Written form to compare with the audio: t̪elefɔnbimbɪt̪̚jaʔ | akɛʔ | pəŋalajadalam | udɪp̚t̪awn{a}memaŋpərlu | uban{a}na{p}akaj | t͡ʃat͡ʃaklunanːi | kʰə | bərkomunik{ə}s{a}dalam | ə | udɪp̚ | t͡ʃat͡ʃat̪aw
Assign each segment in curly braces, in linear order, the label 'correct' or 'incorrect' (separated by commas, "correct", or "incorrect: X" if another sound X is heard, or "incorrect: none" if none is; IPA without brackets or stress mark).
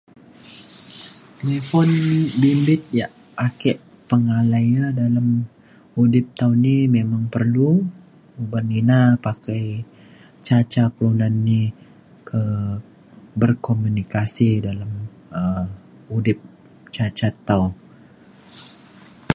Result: incorrect: i, incorrect: i, correct, incorrect: a, incorrect: i